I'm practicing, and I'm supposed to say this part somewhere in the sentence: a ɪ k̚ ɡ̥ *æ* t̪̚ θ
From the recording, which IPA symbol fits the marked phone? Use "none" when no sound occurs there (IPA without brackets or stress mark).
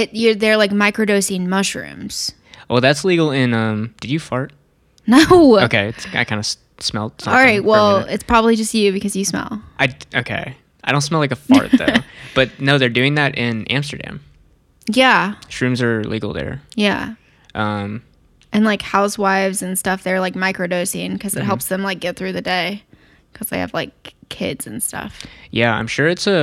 ɛ